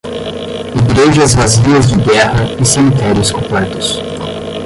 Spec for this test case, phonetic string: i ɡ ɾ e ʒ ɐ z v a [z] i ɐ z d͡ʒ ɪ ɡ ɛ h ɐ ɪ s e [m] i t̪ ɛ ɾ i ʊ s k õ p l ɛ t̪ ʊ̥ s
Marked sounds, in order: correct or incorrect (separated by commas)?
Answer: correct, correct